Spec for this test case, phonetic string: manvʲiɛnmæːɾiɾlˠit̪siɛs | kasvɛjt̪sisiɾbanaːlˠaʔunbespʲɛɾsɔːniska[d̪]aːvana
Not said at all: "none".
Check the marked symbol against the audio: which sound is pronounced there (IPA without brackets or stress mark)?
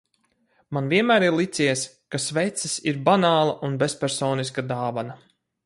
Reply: d̪